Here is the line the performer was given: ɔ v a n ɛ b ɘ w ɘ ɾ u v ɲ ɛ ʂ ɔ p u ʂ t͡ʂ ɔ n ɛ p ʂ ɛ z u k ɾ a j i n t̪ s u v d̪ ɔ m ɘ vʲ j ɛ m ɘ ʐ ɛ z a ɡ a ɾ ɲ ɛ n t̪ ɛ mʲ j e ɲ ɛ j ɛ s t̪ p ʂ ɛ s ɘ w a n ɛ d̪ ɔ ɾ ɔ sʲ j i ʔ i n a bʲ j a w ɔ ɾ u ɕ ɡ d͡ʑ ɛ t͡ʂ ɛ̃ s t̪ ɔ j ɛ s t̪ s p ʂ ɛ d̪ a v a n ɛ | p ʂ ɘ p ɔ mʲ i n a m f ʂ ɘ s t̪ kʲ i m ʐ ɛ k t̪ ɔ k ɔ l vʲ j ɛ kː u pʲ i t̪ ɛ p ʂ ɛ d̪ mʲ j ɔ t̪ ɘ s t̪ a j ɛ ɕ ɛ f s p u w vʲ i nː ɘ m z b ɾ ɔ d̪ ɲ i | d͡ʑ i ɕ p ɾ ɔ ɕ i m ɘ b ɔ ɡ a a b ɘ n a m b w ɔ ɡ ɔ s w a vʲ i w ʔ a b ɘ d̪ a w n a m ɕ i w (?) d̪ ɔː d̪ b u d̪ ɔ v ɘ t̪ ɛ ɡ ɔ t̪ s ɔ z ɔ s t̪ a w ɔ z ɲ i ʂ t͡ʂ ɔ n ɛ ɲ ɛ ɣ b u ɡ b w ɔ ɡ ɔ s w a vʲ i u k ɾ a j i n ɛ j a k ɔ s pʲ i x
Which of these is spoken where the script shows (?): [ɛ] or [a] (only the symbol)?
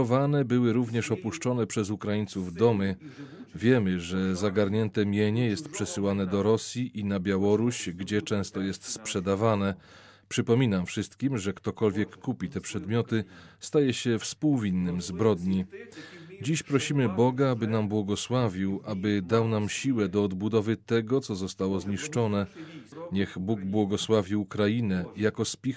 ɛ